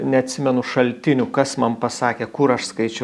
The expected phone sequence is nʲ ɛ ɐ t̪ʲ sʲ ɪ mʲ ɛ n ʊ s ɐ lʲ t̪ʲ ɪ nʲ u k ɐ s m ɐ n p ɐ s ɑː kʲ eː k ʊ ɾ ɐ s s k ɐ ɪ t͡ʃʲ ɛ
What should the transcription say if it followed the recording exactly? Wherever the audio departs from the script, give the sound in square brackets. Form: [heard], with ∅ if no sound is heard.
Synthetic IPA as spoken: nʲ ɛ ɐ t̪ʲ sʲ ɪ mʲ ɛ n ʊ [ʃ] ɐ lʲ t̪ʲ ɪ nʲ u k ɐ s m ɐ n p ɐ s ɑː kʲ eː k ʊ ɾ ɐ [ʃ] s k ɐ ɪ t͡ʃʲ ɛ